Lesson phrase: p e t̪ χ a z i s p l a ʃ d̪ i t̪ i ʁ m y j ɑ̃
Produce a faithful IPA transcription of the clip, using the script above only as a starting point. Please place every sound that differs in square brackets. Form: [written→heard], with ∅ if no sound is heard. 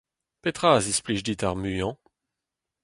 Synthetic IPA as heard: p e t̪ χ a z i s p l [a→i] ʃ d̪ i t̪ [i→a] ʁ m y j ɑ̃